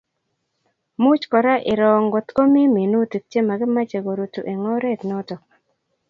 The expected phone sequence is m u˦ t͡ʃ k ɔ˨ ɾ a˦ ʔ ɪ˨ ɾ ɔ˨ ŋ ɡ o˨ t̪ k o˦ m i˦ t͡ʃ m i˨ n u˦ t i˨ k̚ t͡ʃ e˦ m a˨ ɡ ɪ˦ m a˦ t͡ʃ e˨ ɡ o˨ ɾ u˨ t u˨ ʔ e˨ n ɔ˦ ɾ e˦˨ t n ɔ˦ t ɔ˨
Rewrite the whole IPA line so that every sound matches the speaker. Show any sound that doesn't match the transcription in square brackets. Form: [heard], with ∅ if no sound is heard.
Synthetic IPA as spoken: m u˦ t͡ʃ k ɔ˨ ɾ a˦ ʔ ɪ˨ ɾ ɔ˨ ŋ ɡ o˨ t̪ k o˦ m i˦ [∅] m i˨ n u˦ t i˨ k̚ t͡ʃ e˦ m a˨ ɡ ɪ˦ m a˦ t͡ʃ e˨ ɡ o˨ ɾ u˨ t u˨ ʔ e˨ [ŋ] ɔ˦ ɾ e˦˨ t n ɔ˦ t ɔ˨